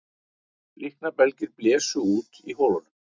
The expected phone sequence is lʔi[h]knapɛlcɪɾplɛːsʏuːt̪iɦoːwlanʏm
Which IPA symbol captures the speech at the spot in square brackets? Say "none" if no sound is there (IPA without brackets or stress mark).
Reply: h